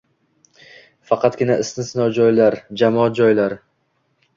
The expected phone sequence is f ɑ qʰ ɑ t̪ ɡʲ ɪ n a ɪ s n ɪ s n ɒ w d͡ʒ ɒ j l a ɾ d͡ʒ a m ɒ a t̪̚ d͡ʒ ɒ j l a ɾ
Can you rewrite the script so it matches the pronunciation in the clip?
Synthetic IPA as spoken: f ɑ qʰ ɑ t̪ ɡʲ ɪ n a ɪ s n ɪ s n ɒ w d͡ʒ ɒ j l a ɾ d͡ʒ a m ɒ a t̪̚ d͡ʒ ɒ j l a ɾ